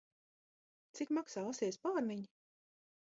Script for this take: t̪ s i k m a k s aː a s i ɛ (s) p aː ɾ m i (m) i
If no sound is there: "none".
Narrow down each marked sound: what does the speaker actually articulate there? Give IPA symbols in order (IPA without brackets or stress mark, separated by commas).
s, ɲ